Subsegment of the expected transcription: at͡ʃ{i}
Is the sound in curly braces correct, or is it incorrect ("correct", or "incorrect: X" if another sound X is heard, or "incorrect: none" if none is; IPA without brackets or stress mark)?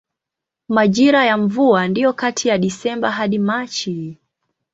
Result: correct